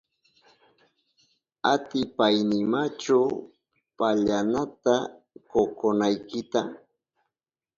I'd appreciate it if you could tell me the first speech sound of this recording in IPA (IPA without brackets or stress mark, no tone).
a